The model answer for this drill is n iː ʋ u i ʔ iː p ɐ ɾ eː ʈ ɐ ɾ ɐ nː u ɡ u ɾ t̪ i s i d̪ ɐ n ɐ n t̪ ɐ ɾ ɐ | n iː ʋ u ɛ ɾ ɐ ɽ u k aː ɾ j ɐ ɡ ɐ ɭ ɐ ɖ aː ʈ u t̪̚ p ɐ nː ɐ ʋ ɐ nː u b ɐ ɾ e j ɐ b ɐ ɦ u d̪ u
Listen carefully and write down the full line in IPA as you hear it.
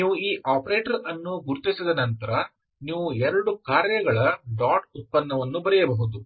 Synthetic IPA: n iː ʋ u iː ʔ aː p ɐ ɾ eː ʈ ɐ ɾ ɐ nː u ɡ u ɾ t̪ i s i d̪ ɐ n ɐ n t̪ ɐ ɾ ɐ | n iː ʋ u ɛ ɾ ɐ ɽ u k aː ɾ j ɐ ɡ ɐ ɭ ɐ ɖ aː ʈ u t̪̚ p ɐ nː ɐ ʋ ɐ nː u b ɐ ɾ ɛ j ɐ b ɐ ɦ u d̪ u